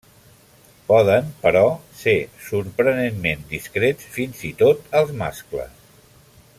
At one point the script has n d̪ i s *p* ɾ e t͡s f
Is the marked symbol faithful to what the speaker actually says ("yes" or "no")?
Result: no